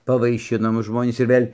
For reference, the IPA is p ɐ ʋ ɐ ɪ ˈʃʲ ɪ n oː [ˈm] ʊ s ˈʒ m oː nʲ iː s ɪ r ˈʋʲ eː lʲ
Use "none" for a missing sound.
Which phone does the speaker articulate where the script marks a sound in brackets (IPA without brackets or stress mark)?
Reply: m